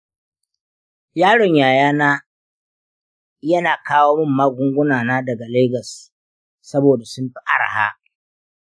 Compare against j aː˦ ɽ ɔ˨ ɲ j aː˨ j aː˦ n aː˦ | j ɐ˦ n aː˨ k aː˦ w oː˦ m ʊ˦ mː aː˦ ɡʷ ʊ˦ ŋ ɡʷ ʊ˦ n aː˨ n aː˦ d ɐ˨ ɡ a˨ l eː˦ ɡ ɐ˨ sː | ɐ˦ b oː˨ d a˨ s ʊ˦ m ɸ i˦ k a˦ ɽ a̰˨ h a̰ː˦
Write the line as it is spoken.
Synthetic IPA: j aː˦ ɽ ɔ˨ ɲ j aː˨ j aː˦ n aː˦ | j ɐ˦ n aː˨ k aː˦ w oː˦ m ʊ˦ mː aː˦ ɡʷ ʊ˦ ŋ ɡʷ ʊ˦ n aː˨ n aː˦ d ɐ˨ ɡ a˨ l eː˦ ɡ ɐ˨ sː | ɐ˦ b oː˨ d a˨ s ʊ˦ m ɸ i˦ ʔ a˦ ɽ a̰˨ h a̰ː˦

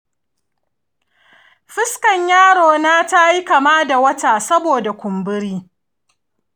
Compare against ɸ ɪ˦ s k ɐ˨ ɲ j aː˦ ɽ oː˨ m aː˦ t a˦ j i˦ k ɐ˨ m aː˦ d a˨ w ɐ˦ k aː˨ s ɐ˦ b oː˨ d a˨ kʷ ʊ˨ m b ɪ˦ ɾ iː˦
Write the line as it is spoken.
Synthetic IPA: ɸ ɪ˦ s k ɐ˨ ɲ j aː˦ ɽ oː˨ n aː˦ t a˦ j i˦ k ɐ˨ m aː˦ d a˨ w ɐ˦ t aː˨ s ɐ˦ b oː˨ d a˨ kʷ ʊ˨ m b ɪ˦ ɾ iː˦

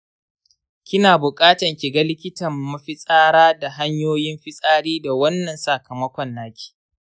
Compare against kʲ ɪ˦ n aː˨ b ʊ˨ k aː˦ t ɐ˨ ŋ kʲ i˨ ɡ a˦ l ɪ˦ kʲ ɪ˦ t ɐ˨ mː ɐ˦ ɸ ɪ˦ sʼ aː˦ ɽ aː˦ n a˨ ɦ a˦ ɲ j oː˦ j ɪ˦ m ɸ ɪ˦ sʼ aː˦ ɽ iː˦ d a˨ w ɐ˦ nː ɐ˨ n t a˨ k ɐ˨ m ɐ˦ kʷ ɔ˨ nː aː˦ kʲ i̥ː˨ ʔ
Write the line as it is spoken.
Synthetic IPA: kʲ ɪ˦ n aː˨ b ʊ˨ kʼ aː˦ t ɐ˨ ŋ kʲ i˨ ɡ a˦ l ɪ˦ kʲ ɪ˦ t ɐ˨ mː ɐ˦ ɸ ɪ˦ sʼ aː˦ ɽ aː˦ d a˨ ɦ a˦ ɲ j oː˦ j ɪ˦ m ɸ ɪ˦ sʼ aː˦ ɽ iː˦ d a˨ w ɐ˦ nː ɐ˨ n s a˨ k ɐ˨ m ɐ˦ kʷ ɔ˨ nː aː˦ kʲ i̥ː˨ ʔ

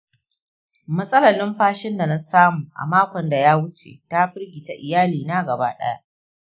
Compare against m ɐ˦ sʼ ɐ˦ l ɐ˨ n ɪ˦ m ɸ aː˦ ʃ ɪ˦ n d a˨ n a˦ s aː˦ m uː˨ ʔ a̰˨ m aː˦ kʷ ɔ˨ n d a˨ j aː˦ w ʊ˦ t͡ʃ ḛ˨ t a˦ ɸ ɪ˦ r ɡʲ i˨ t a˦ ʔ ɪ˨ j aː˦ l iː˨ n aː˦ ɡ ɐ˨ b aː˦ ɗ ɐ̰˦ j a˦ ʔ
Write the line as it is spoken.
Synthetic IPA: m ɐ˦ sʼ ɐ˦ l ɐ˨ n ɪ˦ m ɸ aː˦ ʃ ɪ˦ n d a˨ n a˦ s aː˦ m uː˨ ʔ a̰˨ m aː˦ kʷ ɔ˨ n d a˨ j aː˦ w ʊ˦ t͡ʃ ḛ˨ t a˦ ɸ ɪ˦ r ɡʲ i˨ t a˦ ʔ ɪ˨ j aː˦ l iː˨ n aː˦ ɡ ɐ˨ b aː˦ ɗ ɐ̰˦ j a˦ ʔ

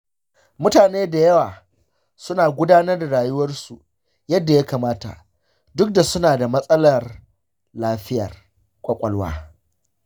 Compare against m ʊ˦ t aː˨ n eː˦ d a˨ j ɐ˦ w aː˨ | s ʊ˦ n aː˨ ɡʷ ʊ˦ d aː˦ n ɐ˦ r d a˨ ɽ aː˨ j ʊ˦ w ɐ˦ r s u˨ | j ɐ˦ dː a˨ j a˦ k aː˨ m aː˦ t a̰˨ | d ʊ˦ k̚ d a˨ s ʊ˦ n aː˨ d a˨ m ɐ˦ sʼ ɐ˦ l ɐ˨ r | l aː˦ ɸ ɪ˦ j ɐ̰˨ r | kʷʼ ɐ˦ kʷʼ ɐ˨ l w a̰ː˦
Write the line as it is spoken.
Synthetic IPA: m ʊ˦ t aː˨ n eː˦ d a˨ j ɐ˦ w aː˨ | s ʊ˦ n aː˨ ɡʷ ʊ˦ d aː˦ n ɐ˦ r d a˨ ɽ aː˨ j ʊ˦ w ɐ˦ r s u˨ | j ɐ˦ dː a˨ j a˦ k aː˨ m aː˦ t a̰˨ | d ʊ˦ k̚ d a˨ s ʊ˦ n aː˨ d a˨ m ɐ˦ sʼ ɐ˦ l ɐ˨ r | l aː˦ ɸ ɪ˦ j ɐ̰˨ r | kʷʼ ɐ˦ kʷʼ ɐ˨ l w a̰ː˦

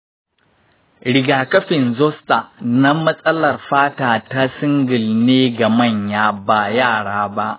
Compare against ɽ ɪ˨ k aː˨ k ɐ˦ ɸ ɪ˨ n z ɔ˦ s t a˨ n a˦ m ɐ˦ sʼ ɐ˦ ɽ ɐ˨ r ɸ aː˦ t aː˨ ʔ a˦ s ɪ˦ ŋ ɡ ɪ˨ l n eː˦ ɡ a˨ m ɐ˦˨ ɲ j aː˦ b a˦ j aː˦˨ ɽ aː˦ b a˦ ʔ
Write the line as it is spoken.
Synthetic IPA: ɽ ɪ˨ ɡ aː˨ k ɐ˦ ɸ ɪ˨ n z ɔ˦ s t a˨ n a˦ m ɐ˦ sʼ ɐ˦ l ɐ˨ r ɸ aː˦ t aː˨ t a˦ s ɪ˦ ŋ ɡ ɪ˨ l n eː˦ ɡ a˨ m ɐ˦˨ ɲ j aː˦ b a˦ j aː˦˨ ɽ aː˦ b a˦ ʔ

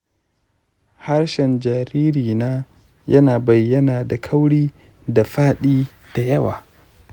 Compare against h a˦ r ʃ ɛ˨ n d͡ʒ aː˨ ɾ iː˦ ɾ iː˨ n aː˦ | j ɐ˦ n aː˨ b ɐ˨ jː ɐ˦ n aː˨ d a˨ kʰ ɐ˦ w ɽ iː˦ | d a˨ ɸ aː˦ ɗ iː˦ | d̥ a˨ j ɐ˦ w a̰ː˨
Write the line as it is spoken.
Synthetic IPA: h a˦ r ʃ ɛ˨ n d͡ʒ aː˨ ɾ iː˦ ɾ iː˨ n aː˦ | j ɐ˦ n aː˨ b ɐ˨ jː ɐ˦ n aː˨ d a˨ kʰ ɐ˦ w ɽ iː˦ | d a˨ ɸ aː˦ ɗ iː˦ | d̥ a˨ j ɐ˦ w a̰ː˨

